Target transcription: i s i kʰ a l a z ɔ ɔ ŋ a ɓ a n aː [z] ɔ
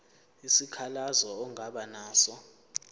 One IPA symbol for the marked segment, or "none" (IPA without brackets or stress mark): s